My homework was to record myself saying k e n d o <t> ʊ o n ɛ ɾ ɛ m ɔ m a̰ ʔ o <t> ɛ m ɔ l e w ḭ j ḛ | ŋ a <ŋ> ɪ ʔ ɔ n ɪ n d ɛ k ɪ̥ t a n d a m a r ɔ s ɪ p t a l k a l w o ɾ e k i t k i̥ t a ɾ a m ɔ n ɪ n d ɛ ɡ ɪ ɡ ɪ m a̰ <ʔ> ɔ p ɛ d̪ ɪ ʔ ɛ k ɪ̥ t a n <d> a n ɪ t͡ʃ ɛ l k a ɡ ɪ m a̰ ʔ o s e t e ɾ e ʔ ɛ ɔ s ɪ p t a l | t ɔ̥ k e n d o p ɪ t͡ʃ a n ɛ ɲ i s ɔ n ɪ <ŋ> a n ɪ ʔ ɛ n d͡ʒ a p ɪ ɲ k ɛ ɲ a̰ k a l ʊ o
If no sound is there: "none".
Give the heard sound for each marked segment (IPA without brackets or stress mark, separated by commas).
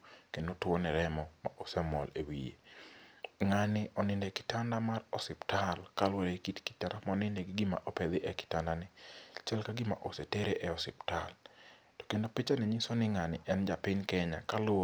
t, s, n, ʔ, d, ŋ